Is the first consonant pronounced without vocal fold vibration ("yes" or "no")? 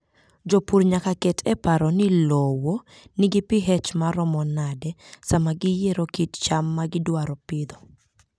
no